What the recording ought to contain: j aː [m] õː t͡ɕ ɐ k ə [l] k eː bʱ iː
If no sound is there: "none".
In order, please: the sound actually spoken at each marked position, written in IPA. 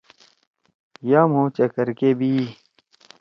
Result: m, ɾ

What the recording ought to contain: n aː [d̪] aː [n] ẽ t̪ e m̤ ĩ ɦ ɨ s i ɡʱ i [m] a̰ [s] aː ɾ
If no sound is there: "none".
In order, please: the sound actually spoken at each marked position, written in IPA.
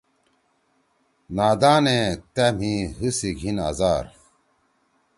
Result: d̪, n, n, z

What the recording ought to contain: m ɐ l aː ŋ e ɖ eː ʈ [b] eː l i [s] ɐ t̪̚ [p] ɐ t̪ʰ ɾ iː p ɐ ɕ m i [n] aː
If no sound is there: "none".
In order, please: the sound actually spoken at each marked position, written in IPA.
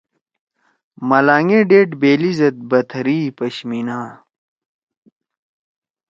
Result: b, z, b, n

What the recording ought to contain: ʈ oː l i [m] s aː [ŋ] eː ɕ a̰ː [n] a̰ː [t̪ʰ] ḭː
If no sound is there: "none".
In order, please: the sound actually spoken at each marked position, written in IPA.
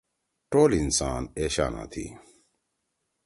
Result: n, n, n, t̪ʰ

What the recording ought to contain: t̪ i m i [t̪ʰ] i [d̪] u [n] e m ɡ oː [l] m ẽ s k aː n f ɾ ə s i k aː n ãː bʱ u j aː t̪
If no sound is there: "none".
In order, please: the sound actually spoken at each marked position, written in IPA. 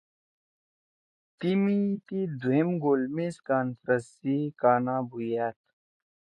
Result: t̪, d̪, none, l

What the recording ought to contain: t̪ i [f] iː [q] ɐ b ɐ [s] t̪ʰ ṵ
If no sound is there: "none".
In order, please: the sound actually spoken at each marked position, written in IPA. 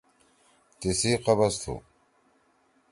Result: s, q, s

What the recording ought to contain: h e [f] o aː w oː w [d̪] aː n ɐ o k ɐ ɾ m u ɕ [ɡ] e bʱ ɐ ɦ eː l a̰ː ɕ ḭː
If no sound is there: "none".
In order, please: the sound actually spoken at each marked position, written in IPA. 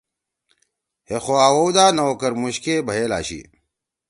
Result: x, d̪, k

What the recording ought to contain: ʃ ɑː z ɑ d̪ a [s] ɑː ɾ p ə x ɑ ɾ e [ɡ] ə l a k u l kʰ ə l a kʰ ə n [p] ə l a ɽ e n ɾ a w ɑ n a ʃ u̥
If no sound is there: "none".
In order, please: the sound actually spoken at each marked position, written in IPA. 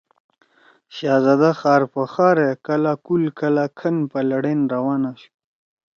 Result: x, k, p

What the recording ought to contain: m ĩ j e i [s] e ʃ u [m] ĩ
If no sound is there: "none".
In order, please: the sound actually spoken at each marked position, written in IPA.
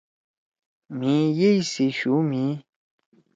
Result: s, m

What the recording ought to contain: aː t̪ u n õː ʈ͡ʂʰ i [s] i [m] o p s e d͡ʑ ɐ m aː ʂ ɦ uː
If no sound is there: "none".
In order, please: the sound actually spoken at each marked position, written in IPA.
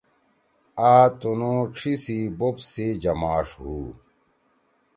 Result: s, b

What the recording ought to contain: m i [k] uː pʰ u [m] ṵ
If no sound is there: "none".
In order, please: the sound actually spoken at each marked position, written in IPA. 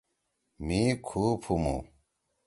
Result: kʰ, m

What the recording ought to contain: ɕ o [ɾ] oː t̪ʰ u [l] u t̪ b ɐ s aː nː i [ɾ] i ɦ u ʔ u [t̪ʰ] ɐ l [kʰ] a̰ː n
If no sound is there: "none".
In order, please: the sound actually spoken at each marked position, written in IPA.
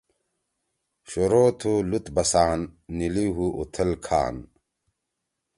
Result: ɾ, l, l, t̪ʰ, kʰ

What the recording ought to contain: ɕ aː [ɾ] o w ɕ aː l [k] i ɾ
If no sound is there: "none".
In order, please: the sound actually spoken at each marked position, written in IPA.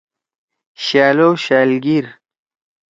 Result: l, ɡ

